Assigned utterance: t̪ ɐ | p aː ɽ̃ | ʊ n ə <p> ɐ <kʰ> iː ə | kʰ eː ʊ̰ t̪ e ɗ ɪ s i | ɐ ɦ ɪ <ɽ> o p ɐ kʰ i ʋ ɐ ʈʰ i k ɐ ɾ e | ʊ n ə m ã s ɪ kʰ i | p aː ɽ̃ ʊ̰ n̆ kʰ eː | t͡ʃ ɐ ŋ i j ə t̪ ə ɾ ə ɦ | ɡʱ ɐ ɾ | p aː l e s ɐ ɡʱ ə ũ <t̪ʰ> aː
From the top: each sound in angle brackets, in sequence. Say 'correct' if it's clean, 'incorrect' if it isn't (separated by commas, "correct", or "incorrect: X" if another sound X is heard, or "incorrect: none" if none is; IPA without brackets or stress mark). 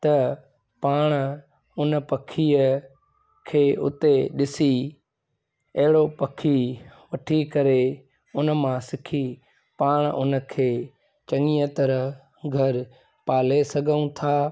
correct, correct, correct, correct